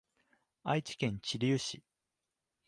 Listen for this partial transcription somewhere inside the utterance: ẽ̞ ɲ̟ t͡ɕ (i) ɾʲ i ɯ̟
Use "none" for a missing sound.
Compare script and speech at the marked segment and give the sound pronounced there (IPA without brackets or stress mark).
i